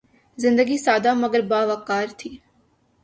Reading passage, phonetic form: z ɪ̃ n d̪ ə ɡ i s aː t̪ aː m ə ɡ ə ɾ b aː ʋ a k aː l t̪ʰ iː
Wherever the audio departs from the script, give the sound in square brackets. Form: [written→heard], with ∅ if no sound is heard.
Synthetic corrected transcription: z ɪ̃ n d̪ ə ɡ i s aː [t̪→d̪] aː m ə ɡ ə ɾ b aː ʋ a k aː [l→ɾ] t̪ʰ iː